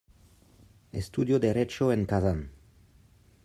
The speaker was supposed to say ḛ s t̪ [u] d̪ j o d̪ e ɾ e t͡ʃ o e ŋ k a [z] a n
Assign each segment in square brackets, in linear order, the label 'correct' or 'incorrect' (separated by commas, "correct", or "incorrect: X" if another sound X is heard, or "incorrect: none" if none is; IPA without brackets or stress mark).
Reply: correct, correct